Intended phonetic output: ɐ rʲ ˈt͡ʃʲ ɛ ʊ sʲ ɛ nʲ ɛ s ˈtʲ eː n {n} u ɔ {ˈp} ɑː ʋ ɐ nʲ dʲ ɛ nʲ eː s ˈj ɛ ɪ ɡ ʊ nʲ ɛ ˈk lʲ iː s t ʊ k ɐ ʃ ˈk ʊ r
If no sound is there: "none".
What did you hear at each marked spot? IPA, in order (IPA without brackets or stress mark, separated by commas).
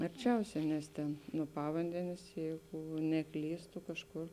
n, p